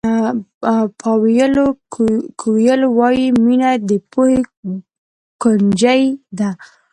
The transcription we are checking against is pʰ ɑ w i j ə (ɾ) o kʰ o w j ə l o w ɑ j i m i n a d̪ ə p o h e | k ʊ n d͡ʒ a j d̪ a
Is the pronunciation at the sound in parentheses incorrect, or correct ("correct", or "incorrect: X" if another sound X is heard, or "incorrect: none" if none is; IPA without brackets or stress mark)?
incorrect: l